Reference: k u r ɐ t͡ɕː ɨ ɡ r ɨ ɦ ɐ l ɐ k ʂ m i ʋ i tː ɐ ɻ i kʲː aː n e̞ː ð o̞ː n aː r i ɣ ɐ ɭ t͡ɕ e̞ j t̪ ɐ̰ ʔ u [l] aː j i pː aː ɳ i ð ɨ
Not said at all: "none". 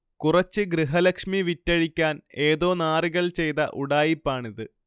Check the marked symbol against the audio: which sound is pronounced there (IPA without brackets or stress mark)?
ɽ